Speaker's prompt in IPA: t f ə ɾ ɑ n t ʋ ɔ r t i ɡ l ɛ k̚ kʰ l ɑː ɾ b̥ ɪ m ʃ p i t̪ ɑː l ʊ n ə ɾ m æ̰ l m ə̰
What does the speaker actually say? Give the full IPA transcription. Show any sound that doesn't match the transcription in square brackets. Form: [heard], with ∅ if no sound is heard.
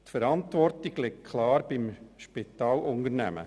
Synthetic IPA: t f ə ɾ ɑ n t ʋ ɔ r t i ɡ l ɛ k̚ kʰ l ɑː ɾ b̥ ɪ m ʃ p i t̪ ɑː l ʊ n ə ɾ [n] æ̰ [∅] m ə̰